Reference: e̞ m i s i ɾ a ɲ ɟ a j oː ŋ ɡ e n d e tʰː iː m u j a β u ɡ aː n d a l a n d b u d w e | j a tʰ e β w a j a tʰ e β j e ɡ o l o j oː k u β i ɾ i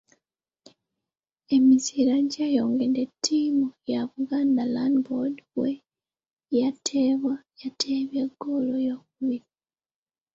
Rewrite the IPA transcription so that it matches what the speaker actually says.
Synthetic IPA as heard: e̞ m i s i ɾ a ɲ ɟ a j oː ŋ ɡ e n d e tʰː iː m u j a β u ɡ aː n d a l a n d b o d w e | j a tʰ e β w a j a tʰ e β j e ɡ o l o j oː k u β i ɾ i